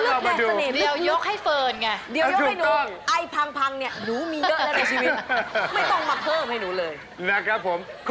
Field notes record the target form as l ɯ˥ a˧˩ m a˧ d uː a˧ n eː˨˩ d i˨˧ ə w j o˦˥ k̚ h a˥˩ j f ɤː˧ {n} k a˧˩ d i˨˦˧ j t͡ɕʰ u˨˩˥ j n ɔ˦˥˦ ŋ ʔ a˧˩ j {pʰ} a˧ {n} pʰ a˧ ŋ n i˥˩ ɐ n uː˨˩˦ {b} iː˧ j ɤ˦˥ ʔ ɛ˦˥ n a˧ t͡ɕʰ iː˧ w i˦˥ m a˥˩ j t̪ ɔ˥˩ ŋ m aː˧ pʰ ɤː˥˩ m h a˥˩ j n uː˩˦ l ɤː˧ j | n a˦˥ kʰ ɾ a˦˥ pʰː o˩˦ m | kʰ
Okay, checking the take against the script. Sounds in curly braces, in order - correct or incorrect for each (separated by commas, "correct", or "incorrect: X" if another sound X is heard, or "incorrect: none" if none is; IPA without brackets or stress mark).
correct, correct, incorrect: ŋ, incorrect: m